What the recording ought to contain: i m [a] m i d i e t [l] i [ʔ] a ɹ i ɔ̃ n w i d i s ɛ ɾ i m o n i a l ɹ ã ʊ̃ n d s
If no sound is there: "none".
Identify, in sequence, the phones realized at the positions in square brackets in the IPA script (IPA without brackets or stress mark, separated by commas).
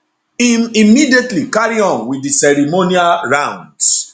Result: i, l, k